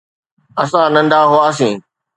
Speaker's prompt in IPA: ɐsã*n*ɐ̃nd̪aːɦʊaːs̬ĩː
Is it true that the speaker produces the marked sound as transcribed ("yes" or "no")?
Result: yes